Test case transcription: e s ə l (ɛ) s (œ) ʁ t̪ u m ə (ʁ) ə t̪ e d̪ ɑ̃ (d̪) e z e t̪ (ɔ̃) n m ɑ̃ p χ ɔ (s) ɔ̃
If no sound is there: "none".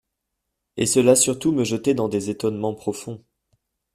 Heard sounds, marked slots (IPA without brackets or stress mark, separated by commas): a, y, ʒ, d̪, ɔ, f